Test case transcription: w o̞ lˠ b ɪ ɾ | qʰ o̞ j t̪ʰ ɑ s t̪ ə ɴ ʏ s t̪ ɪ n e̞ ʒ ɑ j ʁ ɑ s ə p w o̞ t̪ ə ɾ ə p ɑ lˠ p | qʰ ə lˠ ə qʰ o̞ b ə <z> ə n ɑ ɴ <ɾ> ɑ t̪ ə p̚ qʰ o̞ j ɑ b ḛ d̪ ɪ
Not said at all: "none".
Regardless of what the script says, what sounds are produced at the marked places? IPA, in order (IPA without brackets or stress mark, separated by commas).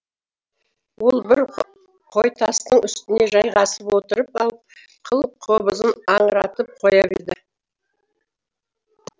z, ɾ